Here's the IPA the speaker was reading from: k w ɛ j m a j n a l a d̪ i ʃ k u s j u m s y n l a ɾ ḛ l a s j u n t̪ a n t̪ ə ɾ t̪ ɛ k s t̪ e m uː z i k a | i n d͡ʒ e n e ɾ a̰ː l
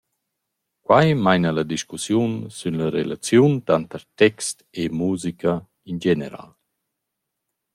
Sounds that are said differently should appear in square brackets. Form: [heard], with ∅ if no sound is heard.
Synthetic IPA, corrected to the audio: k w [a] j m a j n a l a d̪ i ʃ k u s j u [n] s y n l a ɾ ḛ l a [t͡s] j u n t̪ a n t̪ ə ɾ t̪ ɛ k s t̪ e m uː z i k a | i n d͡ʒ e n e ɾ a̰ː l